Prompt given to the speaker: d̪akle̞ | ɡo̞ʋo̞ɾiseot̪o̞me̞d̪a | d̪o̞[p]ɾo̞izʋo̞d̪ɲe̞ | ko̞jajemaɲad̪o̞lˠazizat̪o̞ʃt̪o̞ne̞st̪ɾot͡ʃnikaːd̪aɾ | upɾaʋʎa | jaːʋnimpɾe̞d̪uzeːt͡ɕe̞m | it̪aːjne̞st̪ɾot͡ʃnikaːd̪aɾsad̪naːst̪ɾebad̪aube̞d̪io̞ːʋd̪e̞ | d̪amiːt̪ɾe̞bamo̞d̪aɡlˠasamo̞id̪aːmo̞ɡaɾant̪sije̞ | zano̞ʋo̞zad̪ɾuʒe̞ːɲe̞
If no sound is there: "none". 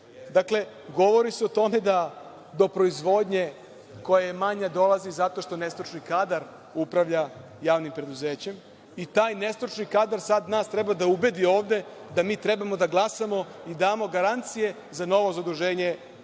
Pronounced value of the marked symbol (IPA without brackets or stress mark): p